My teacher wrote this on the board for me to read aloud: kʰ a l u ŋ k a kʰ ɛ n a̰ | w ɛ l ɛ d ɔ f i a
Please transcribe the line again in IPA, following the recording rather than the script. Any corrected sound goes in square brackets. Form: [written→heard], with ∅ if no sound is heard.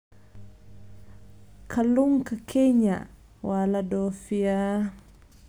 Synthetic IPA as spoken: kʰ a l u ŋ k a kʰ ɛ [n→ɲ] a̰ | w [ɛ→a] l [ɛ→a] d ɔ f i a